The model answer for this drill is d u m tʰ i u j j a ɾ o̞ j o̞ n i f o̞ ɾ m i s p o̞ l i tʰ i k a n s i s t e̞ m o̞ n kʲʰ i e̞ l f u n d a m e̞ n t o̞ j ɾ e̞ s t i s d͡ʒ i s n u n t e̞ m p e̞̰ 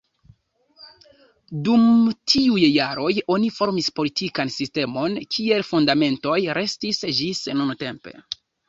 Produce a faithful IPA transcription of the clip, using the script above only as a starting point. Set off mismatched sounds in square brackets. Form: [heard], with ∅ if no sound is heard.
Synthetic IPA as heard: d u m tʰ i u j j a ɾ o̞ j o̞ n i f o̞ ɾ m i s p o̞ l i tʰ i k a n s i s t e̞ m o̞ n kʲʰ i e̞ l f u n d a m e̞ n t o̞ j ɾ e̞ s t i s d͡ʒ i s n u n t e̞ m p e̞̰